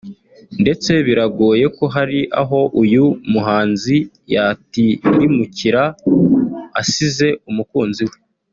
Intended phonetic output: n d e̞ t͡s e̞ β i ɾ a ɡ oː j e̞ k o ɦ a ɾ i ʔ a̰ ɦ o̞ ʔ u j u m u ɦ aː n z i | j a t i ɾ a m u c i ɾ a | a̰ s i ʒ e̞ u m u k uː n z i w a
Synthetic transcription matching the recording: n d e̞ t͡s e̞ β i ɾ a ɡ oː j e̞ k o ɦ a ɾ i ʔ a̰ ɦ o̞ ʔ u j u m u ɦ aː n z i | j a t i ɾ i m u c i ɾ a | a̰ s i z e̞ u m u k uː n z i w e